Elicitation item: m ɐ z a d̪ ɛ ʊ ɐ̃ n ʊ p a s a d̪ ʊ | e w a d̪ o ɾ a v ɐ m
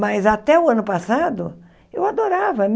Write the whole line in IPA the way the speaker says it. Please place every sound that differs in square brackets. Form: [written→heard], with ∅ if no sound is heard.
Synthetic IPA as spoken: m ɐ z a [d̪→t̪] ɛ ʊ ɐ̃ n ʊ p a s a d̪ ʊ | e w a d̪ o ɾ a v ɐ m